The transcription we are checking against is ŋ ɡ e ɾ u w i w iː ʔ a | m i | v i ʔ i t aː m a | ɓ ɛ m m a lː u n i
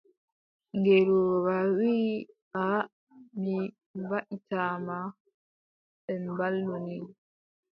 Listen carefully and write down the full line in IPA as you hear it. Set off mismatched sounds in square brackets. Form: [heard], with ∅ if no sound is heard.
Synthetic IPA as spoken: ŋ ɡ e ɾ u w [a] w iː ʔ a | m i | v [a] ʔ i t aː m a | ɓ ɛ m [b] a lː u n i